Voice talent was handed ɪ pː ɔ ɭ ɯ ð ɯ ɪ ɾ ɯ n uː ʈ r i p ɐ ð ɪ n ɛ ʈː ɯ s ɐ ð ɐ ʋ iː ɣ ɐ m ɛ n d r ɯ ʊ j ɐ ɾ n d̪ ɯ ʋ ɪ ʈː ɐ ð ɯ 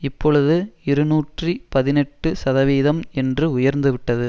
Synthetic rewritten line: ɪ pː ɔ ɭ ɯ ð ɯ ɪ ɾ ɯ n uː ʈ r i p ɐ ð ɪ n ɛ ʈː ɯ s ɐ ð ɐ ʋ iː ð ɐ m ɛ n d r ɯ ʊ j ɐ ɾ n d̪ ɯ ʋ ɪ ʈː ɐ ð ɯ